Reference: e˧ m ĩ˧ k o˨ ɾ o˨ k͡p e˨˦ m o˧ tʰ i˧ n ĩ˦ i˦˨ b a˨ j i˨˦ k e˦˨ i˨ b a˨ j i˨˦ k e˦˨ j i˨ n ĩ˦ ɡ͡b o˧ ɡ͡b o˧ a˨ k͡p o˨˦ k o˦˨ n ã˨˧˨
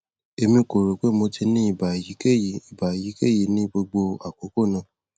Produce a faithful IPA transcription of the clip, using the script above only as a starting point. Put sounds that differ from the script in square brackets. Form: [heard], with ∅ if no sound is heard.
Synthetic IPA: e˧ m ĩ˧ k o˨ ɾ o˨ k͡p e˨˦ m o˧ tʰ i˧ n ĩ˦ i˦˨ b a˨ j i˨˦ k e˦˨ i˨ b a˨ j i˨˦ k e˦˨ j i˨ n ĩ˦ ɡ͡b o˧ ɡ͡b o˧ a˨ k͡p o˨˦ k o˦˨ n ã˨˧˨